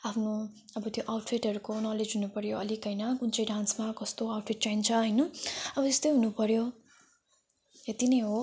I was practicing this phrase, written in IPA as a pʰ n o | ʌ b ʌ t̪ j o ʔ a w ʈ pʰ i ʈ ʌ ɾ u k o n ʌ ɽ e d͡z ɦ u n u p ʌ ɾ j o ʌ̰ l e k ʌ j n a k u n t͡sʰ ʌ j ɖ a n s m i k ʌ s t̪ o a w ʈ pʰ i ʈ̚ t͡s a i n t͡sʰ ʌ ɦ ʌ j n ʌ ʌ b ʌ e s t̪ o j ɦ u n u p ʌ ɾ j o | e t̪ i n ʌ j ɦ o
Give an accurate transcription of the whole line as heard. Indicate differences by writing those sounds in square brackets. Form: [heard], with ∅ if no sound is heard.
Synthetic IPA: a pʰ n o | ʌ b ʌ t̪ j o ʔ a w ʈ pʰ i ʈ ʌ ɾ u k o n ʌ [l] e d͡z ɦ u n u p ʌ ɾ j o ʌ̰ l [i] k ʌ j n [ʌ] k u n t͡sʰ ʌ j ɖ a n s m [a] k ʌ s t̪ o a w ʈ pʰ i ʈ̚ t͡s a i n t͡sʰ ʌ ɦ ʌ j n ʌ ʌ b ʌ e s t̪ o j ɦ u n u p ʌ ɾ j o | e t̪ i n ʌ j ɦ o